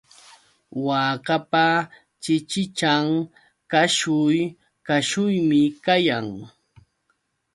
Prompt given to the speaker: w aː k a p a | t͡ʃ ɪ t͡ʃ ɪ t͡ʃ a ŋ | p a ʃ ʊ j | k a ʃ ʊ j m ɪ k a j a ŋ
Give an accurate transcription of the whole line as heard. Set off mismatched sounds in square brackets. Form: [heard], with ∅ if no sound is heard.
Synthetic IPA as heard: w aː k a p a | t͡ʃ ɪ t͡ʃ ɪ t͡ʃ a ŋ | [k] a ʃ ʊ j | k a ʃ ʊ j m ɪ k a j a ŋ